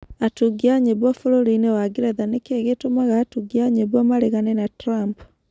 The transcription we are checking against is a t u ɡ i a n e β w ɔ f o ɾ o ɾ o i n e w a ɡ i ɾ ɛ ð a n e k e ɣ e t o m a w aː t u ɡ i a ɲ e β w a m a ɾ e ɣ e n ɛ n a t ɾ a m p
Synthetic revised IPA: a t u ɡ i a ɲ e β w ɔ f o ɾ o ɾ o i n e w a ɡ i ɾ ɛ ð a n e k e ɣ e t o m a ɣ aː t u ɡ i a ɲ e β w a m a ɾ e ɣ a n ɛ n a t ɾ a m p